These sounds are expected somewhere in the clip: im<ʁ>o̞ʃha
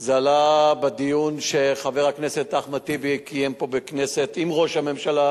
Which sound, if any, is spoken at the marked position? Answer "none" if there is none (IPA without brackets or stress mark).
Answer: ʁ